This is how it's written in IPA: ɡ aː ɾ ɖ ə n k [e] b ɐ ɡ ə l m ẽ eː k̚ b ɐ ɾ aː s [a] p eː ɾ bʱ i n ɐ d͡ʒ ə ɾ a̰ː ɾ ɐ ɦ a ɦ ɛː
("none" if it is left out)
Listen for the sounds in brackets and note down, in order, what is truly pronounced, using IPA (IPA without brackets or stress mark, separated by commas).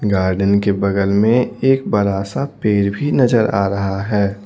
e, a